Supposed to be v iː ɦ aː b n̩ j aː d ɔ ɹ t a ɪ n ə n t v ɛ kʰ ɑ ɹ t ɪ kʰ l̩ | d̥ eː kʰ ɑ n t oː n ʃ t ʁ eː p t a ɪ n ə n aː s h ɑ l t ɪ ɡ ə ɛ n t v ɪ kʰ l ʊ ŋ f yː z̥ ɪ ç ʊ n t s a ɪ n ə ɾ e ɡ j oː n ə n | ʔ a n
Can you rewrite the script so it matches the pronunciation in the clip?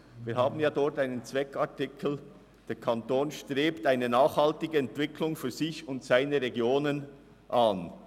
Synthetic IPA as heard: v iː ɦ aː b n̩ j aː d ɔ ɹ t a ɪ n ə n t͡s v ɛ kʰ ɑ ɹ t ɪ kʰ l̩ | d̥ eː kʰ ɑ n t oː n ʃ t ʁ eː p t a ɪ n ə n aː χ h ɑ l t ɪ ɡ ə ɛ n t v ɪ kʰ l ʊ ŋ f yː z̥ ɪ ç ʊ n t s a ɪ n ə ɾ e ɡ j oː n ə n | ʔ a n